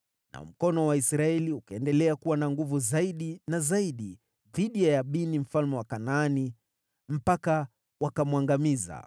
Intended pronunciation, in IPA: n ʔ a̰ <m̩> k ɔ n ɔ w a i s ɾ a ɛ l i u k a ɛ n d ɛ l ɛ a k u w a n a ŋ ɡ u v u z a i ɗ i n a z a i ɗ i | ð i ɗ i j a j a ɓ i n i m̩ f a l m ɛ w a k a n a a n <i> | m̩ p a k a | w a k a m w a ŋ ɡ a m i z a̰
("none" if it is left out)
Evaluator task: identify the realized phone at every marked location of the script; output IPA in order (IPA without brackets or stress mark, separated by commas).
m̩, i